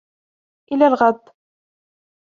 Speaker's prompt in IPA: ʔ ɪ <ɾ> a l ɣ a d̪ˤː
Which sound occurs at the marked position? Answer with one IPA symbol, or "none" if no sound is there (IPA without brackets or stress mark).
l